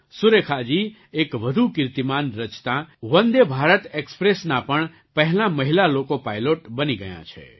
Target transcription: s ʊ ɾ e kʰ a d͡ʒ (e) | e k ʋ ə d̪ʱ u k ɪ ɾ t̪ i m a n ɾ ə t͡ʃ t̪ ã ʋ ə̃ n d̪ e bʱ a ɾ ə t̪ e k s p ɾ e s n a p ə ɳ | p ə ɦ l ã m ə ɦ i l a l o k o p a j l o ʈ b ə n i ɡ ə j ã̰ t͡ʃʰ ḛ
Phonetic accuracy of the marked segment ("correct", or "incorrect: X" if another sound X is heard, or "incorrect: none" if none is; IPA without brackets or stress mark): incorrect: i